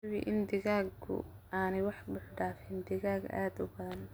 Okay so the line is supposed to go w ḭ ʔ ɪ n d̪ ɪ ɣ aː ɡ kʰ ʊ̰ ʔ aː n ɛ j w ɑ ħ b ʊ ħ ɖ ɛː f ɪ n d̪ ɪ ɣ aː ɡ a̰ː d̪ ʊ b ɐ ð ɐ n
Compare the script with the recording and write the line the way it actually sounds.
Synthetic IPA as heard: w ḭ ʔ ɪ n d̪ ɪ ɣ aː ɡ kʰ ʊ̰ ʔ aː n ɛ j w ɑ ħ b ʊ ħ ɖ aː f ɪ n d̪ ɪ ɣ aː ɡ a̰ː d̪ ʊ b ɐ ð ɐ n